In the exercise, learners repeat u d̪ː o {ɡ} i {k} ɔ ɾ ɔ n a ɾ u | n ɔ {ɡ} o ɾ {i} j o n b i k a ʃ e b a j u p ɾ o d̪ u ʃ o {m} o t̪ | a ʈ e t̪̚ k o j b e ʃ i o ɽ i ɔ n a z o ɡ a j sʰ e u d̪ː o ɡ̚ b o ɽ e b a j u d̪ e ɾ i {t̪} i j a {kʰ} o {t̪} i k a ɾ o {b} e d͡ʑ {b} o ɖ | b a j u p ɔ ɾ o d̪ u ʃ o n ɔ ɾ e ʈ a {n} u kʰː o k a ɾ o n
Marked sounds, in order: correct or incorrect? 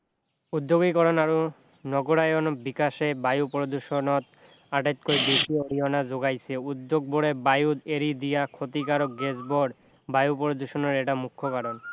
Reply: correct, correct, correct, incorrect: a, incorrect: n, incorrect: d̪, correct, correct, incorrect: ɡ, correct, incorrect: m

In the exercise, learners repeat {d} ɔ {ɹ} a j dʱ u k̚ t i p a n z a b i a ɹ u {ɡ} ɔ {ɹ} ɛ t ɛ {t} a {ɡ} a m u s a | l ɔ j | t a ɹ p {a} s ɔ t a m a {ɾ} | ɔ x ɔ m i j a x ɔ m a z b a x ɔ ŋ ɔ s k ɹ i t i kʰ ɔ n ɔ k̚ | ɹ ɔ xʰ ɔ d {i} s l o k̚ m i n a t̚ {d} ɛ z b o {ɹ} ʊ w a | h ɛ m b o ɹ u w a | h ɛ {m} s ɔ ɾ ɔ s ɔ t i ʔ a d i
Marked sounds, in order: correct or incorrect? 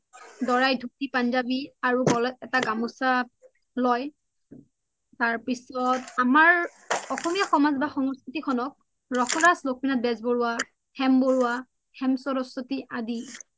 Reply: correct, correct, correct, incorrect: l, correct, correct, incorrect: i, incorrect: ɹ, incorrect: a, incorrect: b, correct, correct

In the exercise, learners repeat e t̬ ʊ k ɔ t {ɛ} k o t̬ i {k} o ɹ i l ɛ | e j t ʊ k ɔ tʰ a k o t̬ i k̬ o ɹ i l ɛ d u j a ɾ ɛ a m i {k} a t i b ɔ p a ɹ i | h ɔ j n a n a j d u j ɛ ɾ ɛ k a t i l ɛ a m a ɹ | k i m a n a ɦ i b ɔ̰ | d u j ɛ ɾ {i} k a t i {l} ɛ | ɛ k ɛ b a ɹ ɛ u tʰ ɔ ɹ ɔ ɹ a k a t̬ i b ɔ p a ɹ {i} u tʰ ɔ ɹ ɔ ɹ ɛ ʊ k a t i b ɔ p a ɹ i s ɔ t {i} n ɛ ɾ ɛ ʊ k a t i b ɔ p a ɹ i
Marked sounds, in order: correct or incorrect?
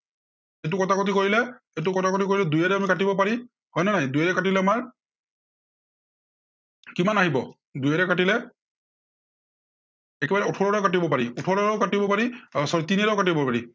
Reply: incorrect: a, correct, correct, incorrect: ɛ, correct, correct, correct

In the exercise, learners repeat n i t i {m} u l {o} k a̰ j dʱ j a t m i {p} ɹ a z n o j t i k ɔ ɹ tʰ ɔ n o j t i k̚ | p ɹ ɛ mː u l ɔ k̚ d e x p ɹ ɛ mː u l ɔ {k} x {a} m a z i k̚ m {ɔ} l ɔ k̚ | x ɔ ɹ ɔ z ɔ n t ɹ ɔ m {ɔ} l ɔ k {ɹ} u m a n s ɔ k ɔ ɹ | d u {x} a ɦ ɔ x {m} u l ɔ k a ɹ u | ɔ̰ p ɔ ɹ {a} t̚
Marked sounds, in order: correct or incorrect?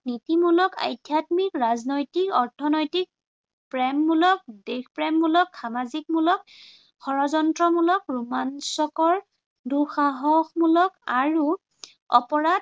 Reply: correct, incorrect: ɔ, incorrect: k, correct, correct, incorrect: u, incorrect: u, correct, correct, correct, correct

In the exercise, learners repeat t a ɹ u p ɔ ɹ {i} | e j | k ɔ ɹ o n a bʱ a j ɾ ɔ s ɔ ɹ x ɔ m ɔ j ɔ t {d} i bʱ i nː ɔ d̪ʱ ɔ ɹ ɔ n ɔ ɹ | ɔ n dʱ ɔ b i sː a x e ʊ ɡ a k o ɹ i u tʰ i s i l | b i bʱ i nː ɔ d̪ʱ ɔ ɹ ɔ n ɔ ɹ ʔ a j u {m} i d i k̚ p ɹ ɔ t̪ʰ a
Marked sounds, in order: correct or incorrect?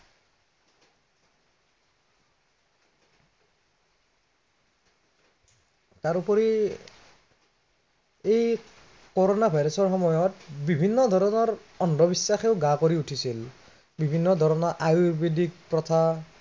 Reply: correct, incorrect: b, incorrect: b

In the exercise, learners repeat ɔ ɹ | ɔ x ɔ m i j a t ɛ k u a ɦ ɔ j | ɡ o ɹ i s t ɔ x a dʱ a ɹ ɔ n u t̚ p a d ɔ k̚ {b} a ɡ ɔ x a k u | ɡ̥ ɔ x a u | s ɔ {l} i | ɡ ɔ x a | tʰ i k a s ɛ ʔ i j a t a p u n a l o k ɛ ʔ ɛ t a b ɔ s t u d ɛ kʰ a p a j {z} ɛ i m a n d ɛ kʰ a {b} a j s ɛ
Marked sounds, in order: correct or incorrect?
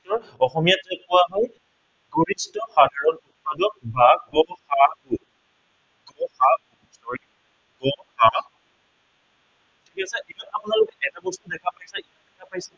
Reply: correct, incorrect: ɹ, incorrect: s, incorrect: p

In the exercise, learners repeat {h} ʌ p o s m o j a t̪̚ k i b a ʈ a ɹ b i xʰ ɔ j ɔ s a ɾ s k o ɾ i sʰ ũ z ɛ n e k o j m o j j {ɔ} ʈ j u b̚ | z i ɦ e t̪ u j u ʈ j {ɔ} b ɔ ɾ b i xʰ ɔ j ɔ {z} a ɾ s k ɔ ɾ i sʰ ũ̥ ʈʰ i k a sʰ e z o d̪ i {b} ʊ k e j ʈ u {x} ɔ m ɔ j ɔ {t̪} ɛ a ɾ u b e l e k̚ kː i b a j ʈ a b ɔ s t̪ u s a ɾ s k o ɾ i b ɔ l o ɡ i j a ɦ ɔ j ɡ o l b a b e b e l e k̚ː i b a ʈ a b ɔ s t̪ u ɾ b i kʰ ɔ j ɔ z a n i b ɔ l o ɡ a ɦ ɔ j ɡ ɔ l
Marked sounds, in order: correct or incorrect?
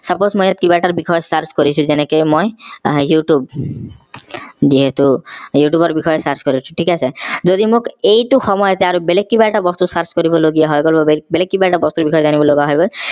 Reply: incorrect: s, incorrect: u, incorrect: u, incorrect: s, incorrect: m, correct, correct

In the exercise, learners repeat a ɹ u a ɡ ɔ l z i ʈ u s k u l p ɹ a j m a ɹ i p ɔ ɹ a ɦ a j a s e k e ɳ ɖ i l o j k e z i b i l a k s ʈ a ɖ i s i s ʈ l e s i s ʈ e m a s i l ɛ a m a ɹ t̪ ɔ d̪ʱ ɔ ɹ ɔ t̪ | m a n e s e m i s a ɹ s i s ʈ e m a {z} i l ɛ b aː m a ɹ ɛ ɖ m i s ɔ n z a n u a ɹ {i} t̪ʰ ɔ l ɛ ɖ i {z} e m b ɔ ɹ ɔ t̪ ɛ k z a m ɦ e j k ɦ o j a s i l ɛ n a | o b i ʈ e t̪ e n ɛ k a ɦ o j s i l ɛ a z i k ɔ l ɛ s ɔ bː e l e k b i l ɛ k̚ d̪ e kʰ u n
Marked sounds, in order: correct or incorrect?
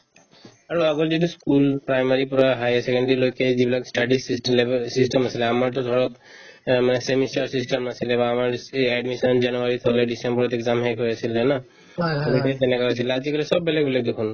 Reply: incorrect: s, correct, incorrect: s

